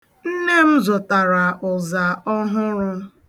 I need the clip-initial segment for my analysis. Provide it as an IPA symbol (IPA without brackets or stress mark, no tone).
n̩